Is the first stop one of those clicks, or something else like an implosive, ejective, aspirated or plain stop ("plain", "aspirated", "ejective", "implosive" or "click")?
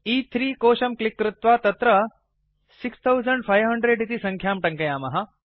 aspirated